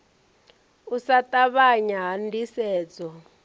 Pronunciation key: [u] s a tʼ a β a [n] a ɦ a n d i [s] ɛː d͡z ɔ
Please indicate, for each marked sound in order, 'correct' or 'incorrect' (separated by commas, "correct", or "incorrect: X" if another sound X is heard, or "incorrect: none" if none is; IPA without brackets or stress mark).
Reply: correct, incorrect: ɲ, correct